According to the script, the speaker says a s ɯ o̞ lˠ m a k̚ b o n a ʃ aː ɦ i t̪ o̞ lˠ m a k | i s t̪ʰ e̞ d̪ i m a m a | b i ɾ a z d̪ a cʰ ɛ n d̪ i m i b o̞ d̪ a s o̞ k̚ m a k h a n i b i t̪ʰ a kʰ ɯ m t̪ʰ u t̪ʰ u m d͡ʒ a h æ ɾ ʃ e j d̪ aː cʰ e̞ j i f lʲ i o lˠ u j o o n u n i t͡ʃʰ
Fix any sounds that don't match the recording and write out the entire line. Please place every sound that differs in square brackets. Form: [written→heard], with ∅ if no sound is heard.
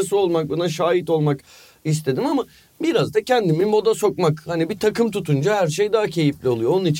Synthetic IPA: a s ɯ o̞ lˠ m a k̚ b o n a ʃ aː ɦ i t̪ o̞ lˠ m a k | i s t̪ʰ e̞ d̪ i m a m a | b i ɾ a z d̪ a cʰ ɛ n d̪ i m i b o̞ d̪ a s o̞ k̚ m a k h a n i b i t̪ʰ a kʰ ɯ m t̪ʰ u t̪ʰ u [m→n] d͡ʒ a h æ ɾ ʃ e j d̪ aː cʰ e̞ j i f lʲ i o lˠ u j o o n u n i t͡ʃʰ